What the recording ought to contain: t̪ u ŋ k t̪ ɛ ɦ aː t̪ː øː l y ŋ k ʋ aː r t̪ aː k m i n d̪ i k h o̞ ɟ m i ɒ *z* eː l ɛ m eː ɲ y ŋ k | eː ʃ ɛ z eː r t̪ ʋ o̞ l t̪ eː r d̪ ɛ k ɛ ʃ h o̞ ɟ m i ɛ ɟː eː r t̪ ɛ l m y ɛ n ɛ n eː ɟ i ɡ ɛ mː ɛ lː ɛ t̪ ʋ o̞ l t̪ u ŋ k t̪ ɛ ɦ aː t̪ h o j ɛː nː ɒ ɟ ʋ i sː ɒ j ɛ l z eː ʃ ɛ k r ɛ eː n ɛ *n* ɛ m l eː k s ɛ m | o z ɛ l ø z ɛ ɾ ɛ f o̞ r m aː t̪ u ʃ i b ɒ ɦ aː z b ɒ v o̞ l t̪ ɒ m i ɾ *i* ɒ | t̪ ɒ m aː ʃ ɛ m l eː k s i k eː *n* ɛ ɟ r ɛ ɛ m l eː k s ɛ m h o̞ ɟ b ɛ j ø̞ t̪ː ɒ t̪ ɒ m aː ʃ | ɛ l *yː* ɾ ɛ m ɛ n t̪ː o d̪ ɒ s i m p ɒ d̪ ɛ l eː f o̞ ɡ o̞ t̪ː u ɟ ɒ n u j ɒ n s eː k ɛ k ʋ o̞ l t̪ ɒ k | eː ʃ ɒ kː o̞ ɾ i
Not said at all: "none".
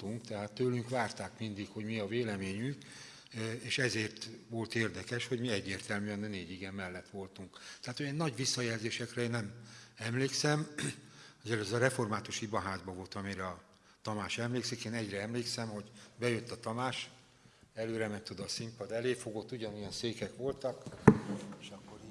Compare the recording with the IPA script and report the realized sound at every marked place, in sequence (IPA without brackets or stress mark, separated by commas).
v, m, ɛ, n, øː